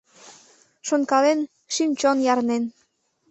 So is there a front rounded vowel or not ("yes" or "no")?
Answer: no